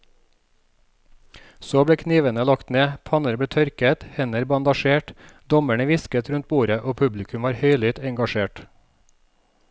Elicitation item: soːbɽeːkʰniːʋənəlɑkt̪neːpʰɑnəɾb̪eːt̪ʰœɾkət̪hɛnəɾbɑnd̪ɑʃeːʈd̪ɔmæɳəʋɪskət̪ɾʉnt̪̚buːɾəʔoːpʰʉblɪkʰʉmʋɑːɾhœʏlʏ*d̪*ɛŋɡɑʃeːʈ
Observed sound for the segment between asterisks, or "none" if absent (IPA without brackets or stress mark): t̪